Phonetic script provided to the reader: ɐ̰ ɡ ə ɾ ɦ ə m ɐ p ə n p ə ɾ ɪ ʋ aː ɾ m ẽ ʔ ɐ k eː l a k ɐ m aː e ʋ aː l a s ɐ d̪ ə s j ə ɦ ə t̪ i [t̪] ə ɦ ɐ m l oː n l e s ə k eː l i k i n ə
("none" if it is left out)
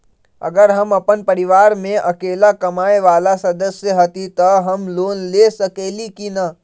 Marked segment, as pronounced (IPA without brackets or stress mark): t̪